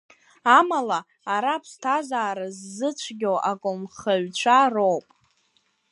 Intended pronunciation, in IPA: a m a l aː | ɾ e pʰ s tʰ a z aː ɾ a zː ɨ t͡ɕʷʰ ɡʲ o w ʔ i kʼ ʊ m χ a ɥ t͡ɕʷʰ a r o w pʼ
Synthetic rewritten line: a m a l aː | ɾ a pʰ s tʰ a z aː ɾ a zː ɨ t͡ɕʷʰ ɡʲ o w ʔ a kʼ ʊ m χ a ɥ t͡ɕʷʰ a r o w pʼ